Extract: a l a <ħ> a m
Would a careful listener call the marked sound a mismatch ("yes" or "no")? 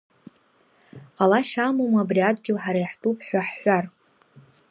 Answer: yes